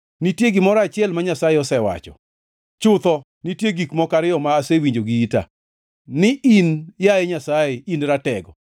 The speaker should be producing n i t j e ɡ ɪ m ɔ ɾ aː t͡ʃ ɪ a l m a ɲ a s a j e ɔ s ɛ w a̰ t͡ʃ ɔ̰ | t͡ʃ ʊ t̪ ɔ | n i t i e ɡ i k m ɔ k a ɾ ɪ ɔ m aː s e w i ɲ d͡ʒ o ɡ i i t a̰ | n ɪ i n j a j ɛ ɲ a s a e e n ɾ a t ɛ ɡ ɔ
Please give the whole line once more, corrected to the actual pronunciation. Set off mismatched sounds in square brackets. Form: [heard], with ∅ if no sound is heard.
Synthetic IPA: n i t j e ɡ ɪ m ɔ ɾ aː t͡ʃ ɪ [ɛ] l m a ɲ a s a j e ɔ s ɛ w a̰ t͡ʃ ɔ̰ | t͡ʃ ʊ t̪ ɔ | n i t [j] e ɡ i k m ɔ k a ɾ ɪ ɔ m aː s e w i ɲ d͡ʒ o ɡ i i t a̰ | n ɪ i n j a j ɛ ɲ a s a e [i] n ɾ a t ɛ ɡ ɔ